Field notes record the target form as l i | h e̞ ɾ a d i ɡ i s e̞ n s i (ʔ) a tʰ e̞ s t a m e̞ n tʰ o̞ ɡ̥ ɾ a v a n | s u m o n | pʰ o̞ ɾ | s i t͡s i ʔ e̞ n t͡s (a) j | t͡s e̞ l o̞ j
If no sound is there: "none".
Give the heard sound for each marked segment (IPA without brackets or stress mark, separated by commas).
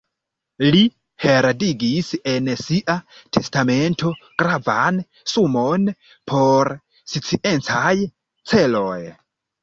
ʔ, a